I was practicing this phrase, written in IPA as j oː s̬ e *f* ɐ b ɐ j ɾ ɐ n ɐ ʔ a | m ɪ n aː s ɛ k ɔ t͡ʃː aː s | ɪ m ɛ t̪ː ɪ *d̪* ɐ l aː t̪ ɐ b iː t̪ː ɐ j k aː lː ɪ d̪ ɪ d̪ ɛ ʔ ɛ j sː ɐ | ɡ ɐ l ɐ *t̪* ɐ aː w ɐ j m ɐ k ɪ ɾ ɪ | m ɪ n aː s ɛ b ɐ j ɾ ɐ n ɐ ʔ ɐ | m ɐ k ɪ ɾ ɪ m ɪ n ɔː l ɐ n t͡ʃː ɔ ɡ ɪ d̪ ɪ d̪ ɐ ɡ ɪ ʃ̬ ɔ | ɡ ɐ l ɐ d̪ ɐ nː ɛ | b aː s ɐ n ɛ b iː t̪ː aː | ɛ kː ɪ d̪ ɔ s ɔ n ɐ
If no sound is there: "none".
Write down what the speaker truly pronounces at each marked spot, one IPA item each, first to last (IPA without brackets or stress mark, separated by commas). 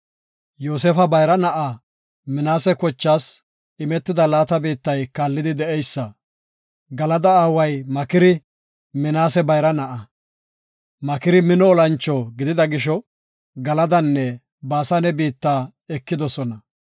f, d̪, d̪